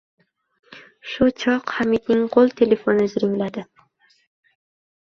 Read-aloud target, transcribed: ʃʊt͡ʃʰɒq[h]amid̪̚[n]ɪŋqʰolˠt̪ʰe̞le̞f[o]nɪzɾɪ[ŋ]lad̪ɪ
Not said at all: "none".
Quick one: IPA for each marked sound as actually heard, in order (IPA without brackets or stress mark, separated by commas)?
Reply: h, n, o, ŋ